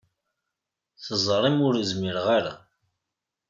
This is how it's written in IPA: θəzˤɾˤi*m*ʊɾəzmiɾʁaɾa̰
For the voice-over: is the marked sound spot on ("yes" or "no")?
yes